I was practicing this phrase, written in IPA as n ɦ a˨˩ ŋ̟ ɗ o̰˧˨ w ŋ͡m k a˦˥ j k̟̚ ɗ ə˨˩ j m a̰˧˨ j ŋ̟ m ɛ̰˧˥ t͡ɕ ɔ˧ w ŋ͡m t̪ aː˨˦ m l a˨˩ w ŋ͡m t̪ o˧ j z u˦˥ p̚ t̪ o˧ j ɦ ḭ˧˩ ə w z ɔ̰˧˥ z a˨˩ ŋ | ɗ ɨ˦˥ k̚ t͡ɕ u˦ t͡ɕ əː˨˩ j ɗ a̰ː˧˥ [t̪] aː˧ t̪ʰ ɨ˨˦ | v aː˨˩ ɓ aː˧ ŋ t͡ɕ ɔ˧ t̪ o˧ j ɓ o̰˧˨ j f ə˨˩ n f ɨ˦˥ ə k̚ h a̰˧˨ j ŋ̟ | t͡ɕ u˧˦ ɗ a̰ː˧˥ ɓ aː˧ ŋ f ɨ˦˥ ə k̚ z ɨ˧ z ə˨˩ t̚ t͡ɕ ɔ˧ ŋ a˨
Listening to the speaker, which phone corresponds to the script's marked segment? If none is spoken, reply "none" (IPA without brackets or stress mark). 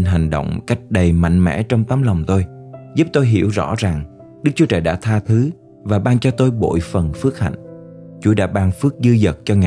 t̪ʰ